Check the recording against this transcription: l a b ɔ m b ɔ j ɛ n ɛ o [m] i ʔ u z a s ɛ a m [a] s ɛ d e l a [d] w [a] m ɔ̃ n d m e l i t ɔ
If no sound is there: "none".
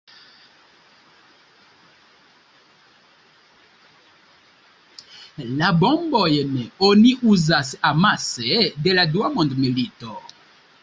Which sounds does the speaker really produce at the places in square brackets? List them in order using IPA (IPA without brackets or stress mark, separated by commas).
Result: n, a, d, a